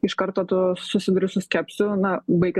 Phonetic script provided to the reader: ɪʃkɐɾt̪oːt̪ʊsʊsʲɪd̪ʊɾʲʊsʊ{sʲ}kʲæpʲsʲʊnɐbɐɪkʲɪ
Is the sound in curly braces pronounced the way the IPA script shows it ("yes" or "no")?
yes